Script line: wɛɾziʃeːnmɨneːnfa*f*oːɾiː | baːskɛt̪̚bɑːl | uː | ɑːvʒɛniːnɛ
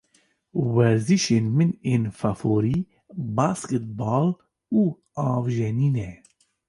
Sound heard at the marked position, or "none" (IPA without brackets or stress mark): f